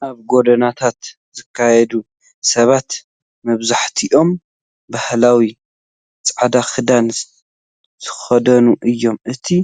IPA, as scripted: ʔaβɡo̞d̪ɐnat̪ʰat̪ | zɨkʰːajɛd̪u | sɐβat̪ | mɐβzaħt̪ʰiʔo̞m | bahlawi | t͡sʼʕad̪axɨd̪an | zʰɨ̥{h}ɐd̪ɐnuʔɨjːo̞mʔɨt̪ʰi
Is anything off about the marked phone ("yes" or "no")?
yes